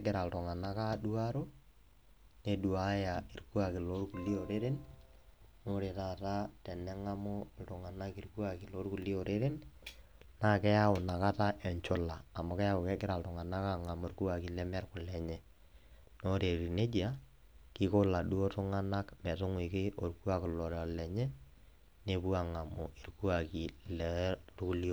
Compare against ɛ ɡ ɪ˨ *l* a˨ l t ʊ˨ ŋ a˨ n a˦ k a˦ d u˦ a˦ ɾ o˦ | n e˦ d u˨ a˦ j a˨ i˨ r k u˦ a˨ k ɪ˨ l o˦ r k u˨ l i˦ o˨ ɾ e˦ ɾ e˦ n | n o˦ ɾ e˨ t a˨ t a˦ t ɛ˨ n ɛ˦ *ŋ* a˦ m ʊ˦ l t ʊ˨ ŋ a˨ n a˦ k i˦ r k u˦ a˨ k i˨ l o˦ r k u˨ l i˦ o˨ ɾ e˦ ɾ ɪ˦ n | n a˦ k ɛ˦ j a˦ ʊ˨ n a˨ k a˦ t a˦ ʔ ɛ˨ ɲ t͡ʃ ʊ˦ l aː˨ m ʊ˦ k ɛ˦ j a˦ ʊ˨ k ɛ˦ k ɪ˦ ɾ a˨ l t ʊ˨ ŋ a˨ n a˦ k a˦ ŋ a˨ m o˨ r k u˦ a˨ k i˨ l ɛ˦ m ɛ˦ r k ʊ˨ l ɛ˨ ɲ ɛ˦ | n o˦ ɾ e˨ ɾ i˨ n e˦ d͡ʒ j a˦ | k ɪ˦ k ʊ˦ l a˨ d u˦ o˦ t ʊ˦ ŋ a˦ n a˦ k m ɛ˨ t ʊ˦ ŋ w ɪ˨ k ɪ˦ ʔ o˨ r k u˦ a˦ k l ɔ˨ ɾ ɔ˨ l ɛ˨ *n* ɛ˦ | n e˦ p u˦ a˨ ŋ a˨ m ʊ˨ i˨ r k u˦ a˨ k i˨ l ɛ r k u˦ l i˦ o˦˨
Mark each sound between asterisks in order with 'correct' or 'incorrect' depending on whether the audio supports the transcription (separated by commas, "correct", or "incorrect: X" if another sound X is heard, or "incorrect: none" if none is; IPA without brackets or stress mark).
incorrect: ɾ, correct, incorrect: ɲ